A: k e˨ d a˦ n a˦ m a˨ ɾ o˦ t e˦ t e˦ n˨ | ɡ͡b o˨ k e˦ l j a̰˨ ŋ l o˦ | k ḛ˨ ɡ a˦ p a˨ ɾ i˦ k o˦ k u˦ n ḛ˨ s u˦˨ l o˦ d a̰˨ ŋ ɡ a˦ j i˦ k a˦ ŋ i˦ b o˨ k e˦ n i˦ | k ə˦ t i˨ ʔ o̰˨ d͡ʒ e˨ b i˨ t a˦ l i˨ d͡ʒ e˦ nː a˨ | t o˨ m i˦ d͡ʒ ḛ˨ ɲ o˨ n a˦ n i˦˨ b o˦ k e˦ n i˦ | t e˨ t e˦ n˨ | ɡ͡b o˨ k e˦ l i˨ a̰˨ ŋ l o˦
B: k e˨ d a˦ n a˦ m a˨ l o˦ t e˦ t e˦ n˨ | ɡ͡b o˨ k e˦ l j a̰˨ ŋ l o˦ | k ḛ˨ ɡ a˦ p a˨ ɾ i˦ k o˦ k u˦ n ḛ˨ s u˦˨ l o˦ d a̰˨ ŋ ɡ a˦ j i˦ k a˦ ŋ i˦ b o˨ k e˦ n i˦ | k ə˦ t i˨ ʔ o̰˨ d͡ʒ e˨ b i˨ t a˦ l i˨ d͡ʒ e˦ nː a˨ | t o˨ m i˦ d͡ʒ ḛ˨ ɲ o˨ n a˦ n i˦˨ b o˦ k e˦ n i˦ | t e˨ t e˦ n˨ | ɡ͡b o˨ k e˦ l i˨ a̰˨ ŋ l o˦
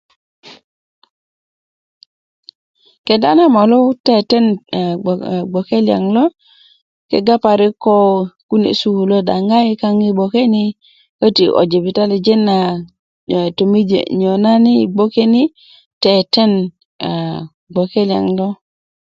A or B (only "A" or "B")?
B